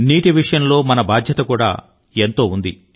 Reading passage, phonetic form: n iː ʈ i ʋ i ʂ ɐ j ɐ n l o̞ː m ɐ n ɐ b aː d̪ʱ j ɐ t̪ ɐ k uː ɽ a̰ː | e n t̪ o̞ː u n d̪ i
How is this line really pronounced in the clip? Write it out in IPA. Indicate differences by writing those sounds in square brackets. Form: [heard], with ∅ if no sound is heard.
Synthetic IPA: n iː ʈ i ʋ i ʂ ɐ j ɐ n l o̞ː m ɐ n ɐ b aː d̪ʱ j ɐ t̪ ɐ k uː ɽ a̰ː | e n t̪ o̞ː u n d̪ i